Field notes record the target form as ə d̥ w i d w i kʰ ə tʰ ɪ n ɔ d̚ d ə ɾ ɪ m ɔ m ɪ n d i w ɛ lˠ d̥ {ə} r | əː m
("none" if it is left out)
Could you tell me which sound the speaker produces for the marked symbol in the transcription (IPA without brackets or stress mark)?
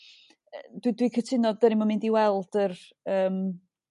ə